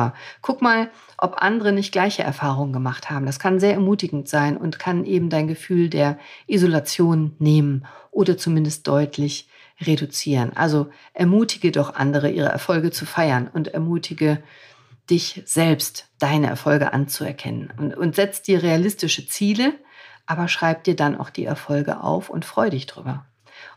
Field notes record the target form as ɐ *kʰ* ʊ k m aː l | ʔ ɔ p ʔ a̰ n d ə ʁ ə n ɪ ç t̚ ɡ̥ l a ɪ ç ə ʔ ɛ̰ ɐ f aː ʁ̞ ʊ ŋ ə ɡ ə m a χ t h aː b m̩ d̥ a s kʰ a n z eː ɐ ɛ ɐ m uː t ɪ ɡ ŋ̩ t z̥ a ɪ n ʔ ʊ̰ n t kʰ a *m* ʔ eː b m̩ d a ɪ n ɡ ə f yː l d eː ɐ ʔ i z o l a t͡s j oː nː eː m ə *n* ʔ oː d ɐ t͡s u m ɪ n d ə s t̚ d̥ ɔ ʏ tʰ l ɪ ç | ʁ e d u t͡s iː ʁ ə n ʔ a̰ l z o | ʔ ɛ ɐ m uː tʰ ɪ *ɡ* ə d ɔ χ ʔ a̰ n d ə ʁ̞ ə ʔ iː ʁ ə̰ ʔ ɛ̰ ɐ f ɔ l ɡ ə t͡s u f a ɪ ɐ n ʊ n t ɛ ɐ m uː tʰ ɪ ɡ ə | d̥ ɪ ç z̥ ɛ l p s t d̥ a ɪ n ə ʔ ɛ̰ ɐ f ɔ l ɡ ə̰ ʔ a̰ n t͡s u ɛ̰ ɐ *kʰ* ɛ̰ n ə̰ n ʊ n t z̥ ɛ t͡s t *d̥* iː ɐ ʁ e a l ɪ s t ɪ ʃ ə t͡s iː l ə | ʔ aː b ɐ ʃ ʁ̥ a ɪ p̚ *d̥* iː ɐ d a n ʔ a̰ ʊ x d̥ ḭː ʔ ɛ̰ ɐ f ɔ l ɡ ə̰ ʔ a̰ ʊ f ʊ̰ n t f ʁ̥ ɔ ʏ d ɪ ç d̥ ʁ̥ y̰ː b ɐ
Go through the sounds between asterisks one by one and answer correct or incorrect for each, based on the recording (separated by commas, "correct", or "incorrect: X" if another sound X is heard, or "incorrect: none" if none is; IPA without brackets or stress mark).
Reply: correct, incorrect: n, correct, correct, correct, correct, correct